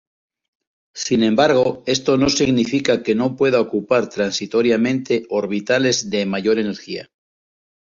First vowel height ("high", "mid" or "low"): high